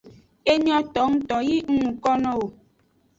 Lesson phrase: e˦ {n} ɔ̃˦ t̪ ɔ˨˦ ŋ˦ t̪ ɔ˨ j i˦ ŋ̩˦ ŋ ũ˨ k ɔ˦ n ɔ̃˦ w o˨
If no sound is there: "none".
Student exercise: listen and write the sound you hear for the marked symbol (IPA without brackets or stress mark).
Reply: ɲ